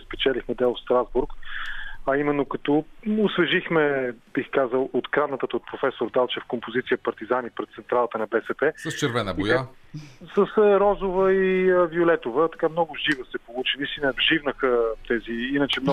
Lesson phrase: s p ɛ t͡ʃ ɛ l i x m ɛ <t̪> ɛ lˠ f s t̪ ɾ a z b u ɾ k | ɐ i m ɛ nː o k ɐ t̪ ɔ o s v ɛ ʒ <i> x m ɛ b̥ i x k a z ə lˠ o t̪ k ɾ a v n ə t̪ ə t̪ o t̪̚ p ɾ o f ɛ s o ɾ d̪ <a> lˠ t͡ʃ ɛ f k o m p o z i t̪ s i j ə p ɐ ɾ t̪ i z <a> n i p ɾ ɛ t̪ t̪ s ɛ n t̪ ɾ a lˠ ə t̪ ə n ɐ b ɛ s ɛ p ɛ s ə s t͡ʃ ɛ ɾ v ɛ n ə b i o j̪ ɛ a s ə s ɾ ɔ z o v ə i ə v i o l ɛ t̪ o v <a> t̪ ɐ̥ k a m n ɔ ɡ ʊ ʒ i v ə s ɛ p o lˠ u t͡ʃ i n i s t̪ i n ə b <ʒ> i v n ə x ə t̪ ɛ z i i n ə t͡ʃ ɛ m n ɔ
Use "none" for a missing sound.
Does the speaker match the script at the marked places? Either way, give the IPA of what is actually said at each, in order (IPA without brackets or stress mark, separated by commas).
d̪, i, a, a, ə, ʒ